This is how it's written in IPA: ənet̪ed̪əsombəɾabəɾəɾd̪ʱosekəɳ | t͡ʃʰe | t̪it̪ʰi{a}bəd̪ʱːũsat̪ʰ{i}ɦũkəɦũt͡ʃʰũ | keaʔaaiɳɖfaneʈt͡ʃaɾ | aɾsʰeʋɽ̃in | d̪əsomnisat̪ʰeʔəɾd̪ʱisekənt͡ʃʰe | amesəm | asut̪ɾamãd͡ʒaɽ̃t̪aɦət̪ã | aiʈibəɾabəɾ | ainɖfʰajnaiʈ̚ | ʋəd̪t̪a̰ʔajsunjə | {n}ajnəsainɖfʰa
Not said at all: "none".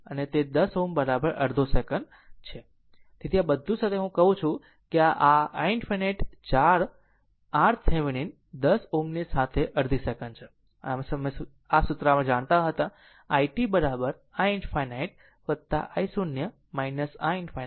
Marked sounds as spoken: a, e, m

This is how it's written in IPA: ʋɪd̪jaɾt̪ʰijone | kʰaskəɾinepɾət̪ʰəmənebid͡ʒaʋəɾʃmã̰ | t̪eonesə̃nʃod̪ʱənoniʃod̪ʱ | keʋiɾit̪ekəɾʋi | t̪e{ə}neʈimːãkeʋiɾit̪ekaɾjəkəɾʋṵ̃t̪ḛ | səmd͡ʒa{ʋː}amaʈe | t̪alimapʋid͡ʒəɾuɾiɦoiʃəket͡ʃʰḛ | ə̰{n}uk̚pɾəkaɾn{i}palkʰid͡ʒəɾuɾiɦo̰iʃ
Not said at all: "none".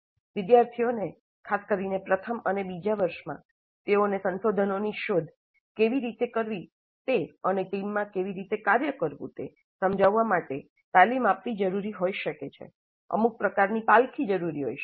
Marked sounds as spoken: ə, ʋː, m, i

